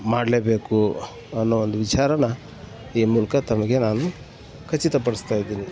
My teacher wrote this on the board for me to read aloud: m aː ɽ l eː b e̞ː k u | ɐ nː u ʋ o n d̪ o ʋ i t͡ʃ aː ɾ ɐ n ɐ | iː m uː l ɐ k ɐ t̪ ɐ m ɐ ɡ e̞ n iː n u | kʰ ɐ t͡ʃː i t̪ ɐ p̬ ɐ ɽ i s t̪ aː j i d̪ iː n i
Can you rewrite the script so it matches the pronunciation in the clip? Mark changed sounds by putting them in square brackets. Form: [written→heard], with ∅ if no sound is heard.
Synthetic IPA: m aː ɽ l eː b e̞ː k u | ɐ nː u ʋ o n d̪ [o→u] ʋ i t͡ʃ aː ɾ ɐ n ɐ | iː m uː l ɐ k ɐ t̪ ɐ m ɐ ɡ e̞ n [iː→aː] n u | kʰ ɐ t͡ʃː i t̪ ɐ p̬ ɐ ɽ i s t̪ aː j i d̪ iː n i

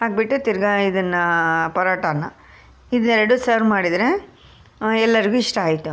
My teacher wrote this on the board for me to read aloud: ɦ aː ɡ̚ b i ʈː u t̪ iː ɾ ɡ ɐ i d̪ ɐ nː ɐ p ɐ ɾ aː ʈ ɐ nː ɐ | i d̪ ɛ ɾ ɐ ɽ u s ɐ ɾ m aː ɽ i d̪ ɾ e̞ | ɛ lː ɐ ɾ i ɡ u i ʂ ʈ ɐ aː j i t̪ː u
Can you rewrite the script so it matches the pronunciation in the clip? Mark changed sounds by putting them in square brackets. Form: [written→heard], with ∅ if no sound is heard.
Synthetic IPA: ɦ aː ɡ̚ b i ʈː u t̪ [iː→i] ɾ ɡ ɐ i d̪ ɐ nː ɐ p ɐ ɾ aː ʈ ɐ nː ɐ | i d̪ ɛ ɾ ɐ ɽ u s ɐ ɾ m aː ɽ i d̪ ɾ e̞ | ɛ lː ɐ ɾ i ɡ u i ʂ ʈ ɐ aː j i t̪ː u

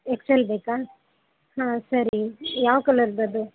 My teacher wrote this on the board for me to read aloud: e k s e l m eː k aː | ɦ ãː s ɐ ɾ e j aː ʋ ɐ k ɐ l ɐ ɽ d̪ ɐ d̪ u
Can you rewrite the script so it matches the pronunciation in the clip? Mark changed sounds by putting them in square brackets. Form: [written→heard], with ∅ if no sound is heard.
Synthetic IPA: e k s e l [m→b] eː k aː | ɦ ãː s ɐ ɾ [e→i] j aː ʋ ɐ k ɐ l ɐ [ɽ→ɾ] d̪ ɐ d̪ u

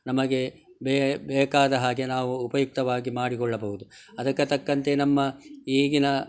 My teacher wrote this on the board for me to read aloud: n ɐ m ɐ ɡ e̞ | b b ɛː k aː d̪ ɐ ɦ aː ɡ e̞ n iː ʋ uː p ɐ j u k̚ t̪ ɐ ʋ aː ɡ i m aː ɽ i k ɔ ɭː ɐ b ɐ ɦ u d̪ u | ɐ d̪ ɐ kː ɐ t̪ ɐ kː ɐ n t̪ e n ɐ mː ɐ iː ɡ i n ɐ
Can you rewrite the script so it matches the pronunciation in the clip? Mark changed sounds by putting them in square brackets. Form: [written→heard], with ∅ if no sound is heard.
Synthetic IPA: n ɐ m ɐ ɡ e̞ | b b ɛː k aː d̪ ɐ ɦ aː ɡ e̞ n [iː→aː] ʋ uː p ɐ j u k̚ t̪ ɐ ʋ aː ɡ i m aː ɽ i k ɔ ɭː ɐ b ɐ ɦ u d̪ u | ɐ d̪ ɐ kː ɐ t̪ ɐ kː ɐ n t̪ e n ɐ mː ɐ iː ɡ i n ɐ

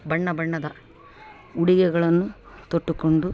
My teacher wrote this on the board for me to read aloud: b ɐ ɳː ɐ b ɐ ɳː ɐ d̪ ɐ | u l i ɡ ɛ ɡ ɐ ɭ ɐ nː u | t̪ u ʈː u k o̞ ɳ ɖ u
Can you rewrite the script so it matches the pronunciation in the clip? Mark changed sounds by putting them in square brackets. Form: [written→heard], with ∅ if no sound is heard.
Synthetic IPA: b ɐ ɳː ɐ b ɐ ɳː ɐ d̪ ɐ | u [l→ɽ] i ɡ ɛ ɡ ɐ ɭ ɐ nː u | t̪ [u→o] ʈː u k o̞ ɳ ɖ u

